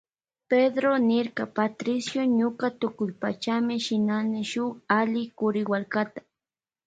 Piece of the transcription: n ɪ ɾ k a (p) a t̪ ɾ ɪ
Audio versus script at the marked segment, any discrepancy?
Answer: no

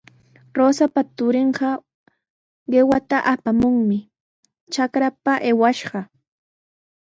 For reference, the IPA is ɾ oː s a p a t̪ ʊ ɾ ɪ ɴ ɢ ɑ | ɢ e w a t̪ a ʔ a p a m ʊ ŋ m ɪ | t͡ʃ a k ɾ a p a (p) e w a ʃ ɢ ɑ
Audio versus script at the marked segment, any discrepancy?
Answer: yes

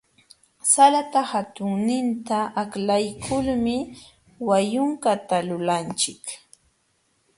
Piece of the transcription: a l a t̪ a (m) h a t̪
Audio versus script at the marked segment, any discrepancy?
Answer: yes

